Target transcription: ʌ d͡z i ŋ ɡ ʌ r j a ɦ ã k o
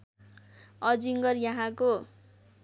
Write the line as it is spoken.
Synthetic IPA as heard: ʌ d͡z i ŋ ɡ ʌ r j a ɦ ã k o